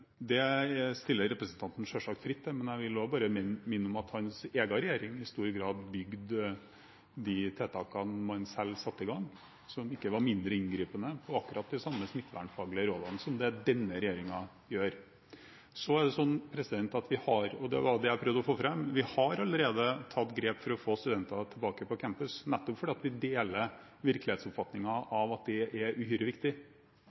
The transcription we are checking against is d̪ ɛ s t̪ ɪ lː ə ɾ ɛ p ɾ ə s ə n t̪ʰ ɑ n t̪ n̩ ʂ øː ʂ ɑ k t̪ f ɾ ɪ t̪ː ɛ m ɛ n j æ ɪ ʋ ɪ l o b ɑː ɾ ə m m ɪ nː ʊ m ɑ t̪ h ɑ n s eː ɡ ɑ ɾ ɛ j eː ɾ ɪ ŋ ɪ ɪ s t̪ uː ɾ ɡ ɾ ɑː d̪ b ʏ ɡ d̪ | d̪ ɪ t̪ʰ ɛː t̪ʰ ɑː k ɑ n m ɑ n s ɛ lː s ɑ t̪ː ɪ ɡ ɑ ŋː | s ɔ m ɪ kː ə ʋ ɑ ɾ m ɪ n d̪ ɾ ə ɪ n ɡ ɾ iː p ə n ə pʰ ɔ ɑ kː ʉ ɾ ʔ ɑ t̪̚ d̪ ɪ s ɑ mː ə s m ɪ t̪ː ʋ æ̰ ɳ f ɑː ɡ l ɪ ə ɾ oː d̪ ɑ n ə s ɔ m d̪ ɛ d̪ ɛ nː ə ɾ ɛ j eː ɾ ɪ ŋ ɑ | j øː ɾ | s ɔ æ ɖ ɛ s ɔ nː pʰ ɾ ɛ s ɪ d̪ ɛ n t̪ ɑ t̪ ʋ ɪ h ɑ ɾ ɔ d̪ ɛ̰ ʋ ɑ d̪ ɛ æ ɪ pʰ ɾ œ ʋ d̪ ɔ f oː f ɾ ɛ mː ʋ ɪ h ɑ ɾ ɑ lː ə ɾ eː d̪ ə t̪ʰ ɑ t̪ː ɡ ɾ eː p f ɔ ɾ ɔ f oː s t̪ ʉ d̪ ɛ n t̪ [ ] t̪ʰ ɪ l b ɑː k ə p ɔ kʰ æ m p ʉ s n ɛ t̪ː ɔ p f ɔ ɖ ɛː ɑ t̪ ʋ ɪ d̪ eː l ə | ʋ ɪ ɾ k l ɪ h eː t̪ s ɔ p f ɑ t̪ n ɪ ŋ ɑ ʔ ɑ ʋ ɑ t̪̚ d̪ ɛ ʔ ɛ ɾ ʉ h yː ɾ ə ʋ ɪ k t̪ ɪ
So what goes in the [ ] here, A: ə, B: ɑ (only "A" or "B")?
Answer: B